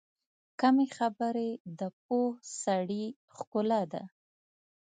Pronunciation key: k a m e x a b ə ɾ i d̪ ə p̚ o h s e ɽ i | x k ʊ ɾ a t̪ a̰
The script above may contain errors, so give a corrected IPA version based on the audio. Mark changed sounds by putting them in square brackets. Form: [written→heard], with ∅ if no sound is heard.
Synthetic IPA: k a m e x a b ə ɾ [i→e] d̪ ə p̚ o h s [e→a] ɽ i | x k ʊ [ɾ→l] a [t̪→d̪] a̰